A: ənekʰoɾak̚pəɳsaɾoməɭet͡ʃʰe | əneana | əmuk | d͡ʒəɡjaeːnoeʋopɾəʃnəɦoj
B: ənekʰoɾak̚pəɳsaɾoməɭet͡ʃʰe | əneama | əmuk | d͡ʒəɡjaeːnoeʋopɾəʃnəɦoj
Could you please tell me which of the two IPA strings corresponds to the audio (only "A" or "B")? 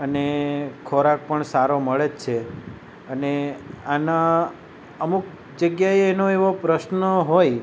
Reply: A